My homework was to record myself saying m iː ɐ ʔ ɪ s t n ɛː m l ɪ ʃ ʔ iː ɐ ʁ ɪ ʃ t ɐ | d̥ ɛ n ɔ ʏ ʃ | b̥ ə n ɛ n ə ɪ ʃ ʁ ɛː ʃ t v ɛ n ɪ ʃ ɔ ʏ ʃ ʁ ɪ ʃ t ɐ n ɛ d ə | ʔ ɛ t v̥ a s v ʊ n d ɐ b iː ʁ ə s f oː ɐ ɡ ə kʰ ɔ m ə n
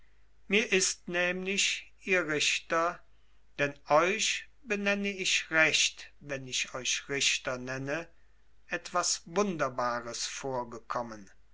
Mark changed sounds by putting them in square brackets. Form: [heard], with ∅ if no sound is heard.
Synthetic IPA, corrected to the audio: m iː ɐ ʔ ɪ s t n ɛː m l ɪ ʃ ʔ iː ɐ ʁ ɪ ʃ t ɐ | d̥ ɛ n ɔ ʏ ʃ | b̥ ə n ɛ n ə ɪ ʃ ʁ [ɛ] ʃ t v ɛ n ɪ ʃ ɔ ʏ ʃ ʁ ɪ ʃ t ɐ n ɛ [n] ə | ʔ ɛ t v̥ a s v ʊ n d ɐ b [aː] ʁ ə s f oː ɐ ɡ ə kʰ ɔ m ə n